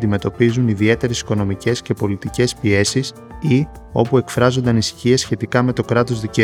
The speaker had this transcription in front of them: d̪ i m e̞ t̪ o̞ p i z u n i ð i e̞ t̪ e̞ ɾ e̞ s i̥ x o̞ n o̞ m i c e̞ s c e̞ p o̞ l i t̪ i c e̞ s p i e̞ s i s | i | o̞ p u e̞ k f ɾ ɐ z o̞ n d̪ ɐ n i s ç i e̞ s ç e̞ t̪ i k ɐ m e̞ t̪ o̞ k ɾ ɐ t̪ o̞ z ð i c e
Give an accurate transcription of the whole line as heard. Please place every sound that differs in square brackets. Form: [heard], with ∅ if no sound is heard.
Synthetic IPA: d̪ i m e̞ t̪ o̞ p i z u n i ð i e̞ t̪ e̞ ɾ e̞ s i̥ [k] o̞ n o̞ m i c e̞ s c e̞ p o̞ l i t̪ i c e̞ s p i e̞ s i s | i | o̞ p u e̞ k f ɾ ɐ z o̞ n d̪ ɐ n i s ç i e̞ s ç e̞ t̪ i k ɐ m e̞ t̪ o̞ k ɾ ɐ t̪ o̞ z ð i c e